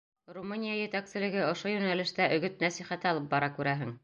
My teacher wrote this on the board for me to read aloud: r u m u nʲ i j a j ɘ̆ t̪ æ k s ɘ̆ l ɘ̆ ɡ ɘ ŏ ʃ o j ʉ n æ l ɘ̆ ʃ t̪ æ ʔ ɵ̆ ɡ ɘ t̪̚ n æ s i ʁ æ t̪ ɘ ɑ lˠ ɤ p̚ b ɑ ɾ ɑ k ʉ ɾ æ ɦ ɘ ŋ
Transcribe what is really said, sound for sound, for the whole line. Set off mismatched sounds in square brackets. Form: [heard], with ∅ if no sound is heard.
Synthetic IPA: r u m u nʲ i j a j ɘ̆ t̪ æ k s ɘ̆ l ɘ̆ ɡ ɘ ŏ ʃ o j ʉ n æ l ɘ̆ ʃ t̪ æ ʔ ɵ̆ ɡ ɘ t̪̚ n æ s i [χ] æ t̪ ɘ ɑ lˠ ɤ p̚ b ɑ ɾ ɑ k ʉ ɾ æ ɦ ɘ ŋ